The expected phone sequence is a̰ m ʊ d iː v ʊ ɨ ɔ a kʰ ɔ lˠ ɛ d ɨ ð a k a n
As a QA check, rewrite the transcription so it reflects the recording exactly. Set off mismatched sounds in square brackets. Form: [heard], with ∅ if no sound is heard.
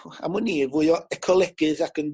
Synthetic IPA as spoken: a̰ m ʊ [n] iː v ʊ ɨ ɔ [ɛ] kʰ ɔ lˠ ɛ [ɡ] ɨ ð a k [ə] n